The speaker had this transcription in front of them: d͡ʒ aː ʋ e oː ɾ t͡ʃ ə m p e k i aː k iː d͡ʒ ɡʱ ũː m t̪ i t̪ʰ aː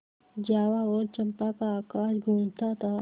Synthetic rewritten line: d͡ʒ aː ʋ a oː ɾ t͡ʃ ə m p a k a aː k aː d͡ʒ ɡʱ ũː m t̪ a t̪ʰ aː